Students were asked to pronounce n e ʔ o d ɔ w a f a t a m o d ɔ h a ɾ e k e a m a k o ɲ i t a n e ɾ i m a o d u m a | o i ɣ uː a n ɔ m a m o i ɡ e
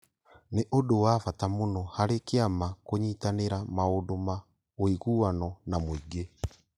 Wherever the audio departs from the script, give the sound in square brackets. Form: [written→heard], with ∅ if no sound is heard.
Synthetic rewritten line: n e ʔ o d [ɔ→o] w a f a t a m o [d→n] ɔ h a ɾ e k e a m a k o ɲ i t a n e ɾ [i→a] m a o d [u→o] m a | o i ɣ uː a n ɔ [m→n] a m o i ɡ e